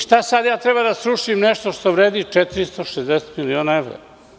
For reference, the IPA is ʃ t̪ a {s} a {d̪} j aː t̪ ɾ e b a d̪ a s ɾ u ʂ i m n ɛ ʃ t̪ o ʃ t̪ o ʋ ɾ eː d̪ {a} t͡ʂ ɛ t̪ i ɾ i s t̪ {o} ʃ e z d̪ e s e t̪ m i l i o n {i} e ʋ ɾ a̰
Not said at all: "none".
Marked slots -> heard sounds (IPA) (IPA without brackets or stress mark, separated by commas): s, d̪, i, o, a